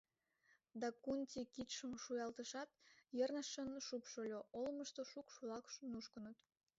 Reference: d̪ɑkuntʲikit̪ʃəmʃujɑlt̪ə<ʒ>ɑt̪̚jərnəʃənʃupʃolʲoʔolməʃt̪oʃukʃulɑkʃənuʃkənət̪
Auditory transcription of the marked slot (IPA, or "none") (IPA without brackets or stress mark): ʃ